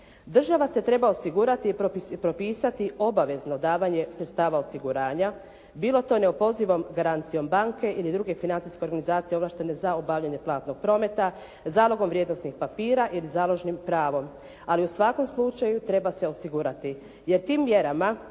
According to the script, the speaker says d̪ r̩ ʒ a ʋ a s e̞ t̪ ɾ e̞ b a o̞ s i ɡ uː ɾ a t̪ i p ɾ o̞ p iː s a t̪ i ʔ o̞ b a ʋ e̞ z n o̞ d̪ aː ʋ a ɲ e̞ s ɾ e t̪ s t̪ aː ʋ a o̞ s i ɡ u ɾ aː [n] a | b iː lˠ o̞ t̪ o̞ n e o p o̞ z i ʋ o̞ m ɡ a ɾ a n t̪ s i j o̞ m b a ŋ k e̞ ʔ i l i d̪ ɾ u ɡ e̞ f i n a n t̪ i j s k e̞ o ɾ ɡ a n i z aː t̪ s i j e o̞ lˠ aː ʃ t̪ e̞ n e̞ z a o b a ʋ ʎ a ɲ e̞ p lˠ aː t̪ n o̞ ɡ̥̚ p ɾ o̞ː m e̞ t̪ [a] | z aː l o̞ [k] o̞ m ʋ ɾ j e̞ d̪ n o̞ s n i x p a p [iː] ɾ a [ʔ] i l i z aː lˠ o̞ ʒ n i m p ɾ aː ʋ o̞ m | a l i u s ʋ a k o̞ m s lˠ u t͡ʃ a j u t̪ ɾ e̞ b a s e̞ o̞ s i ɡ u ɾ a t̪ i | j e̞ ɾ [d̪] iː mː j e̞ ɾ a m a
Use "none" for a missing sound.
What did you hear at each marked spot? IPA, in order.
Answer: ɲ, a, ɡ, iː, ʔ, t̪

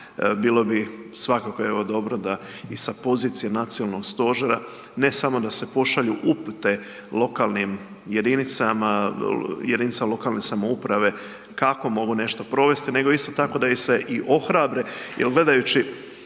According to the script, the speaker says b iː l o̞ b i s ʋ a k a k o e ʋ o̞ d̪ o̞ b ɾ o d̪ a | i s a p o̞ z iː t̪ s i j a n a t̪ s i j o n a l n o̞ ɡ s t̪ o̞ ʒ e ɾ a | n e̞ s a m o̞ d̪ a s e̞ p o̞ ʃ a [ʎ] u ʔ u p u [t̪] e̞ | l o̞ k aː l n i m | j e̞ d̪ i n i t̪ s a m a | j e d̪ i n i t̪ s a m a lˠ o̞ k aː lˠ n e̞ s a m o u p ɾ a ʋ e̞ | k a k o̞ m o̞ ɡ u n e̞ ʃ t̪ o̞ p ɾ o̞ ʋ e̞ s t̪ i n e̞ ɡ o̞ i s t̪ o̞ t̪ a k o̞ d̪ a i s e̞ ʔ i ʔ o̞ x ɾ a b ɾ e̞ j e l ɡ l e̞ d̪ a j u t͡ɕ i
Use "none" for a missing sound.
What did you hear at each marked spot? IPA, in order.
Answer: ʎ, t̪

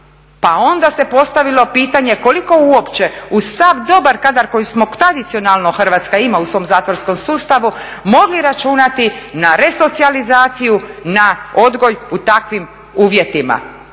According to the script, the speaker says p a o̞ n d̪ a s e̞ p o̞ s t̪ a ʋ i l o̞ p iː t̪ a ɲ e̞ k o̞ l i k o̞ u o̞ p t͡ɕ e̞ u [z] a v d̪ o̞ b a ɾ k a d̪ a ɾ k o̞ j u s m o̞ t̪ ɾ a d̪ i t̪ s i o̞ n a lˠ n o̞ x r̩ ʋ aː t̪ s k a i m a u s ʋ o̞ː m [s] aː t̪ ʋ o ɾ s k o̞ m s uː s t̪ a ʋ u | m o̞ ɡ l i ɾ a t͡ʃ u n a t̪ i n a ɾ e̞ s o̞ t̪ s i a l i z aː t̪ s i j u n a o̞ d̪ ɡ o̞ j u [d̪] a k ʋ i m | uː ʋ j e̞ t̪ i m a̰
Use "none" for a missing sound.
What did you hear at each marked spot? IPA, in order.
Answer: s, z, t̪

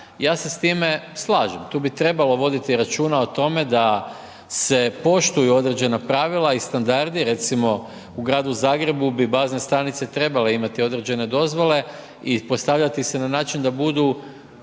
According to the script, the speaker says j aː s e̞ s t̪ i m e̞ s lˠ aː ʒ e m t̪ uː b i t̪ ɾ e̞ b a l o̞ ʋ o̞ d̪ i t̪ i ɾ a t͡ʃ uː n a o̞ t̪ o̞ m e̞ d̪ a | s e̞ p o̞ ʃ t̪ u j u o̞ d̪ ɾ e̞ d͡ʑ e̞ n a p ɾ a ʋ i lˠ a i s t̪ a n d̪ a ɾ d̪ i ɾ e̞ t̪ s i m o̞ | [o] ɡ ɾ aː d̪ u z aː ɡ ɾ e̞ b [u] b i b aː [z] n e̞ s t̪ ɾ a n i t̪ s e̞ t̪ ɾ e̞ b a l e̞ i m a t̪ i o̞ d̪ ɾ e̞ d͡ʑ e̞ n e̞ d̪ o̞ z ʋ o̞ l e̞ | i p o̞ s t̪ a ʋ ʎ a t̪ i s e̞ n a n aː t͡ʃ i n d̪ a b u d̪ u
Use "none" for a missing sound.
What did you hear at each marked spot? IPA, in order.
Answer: u, u, z

